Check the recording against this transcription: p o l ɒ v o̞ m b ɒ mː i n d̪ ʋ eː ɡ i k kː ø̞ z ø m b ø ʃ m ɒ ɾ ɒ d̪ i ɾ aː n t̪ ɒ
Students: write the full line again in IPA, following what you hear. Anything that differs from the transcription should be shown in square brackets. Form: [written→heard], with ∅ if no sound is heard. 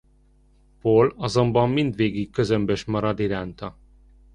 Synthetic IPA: p o l ɒ [v→z] o̞ m b ɒ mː i n d̪ ʋ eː ɡ i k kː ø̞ z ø m b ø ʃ m ɒ ɾ ɒ d̪ i ɾ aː n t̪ ɒ

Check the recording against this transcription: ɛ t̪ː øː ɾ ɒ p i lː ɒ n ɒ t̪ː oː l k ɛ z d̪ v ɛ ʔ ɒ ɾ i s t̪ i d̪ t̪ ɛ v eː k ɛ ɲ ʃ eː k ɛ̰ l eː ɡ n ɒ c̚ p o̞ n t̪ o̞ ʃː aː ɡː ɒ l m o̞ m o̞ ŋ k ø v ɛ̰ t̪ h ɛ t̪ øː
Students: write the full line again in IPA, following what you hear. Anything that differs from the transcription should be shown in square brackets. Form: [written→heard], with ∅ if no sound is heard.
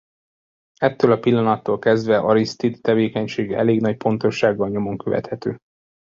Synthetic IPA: ɛ t̪ː øː [ɾ→l] ɒ p i lː ɒ n ɒ t̪ː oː l k ɛ z d̪ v ɛ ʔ ɒ ɾ i s t̪ i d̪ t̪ ɛ v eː k ɛ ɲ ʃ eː [k→ɡ] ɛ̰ l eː ɡ n ɒ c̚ p o̞ n t̪ o̞ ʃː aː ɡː ɒ l [m→ɲ] o̞ m o̞ ŋ k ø v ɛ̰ t̪ h ɛ t̪ øː

